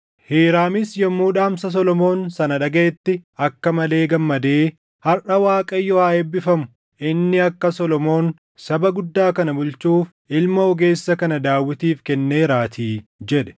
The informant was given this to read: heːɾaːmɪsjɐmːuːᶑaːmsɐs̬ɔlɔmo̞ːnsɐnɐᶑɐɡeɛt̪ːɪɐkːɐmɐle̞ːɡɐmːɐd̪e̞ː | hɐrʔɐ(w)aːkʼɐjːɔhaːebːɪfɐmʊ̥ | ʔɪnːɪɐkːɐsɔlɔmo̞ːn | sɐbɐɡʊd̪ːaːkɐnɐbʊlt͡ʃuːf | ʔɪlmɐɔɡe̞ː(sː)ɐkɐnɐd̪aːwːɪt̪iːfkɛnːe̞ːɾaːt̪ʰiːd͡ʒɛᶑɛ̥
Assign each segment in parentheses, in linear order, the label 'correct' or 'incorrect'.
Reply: correct, correct

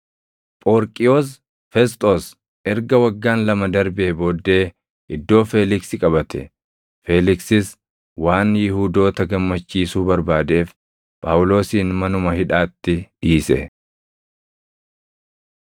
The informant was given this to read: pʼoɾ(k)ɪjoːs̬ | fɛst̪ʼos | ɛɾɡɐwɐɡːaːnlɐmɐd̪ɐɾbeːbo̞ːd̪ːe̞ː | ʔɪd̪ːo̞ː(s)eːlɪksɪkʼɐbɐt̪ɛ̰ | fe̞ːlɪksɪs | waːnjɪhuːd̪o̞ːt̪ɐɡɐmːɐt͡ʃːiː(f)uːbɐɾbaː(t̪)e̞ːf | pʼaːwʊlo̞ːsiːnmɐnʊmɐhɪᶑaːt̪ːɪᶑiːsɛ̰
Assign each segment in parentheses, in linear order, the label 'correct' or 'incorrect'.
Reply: incorrect, incorrect, incorrect, incorrect

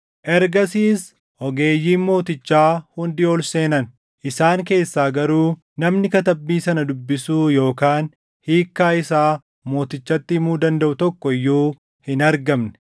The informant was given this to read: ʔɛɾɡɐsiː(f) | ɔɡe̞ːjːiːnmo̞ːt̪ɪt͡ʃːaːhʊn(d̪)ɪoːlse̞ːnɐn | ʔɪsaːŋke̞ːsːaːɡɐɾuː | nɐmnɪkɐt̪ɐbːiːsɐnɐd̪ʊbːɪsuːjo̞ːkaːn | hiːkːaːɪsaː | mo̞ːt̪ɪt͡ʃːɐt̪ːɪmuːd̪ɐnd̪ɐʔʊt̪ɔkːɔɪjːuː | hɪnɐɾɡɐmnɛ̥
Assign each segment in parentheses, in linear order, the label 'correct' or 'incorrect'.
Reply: incorrect, correct

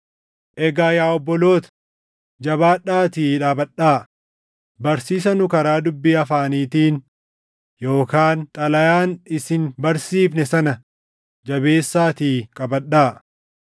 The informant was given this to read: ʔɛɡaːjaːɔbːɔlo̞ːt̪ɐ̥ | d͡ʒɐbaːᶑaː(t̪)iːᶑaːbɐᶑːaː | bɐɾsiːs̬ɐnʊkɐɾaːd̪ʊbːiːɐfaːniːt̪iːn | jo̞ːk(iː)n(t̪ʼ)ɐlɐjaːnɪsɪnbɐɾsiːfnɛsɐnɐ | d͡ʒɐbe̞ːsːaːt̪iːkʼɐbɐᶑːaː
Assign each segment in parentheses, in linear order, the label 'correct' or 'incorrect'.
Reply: correct, incorrect, correct

